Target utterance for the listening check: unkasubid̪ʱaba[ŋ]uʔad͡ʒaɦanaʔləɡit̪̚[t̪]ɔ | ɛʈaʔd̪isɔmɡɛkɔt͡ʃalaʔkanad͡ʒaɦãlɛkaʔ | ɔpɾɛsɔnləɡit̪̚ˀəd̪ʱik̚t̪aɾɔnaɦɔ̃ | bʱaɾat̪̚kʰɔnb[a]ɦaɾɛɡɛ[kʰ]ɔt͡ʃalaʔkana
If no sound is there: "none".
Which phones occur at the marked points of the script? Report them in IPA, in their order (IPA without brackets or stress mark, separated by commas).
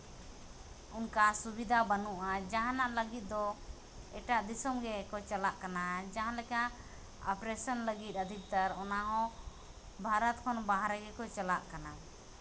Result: n, d̪, a, k